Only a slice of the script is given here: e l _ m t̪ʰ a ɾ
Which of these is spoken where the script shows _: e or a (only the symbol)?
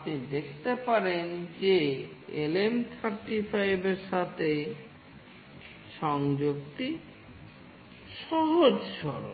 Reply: e